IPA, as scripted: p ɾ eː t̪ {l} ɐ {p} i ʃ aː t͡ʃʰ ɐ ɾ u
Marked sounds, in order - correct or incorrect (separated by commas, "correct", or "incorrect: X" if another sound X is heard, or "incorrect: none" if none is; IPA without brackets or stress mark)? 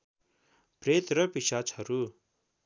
incorrect: ɾ, correct